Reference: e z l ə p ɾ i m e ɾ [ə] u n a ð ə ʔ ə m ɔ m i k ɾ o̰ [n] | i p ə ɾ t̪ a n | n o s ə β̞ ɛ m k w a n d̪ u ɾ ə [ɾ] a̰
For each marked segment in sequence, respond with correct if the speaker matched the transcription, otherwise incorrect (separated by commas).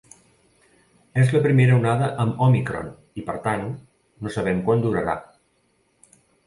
correct, correct, correct